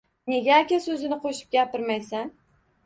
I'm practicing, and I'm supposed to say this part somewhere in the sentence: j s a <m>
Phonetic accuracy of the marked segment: incorrect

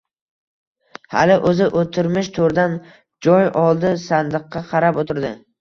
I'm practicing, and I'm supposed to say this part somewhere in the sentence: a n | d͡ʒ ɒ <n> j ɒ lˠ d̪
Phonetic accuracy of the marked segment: incorrect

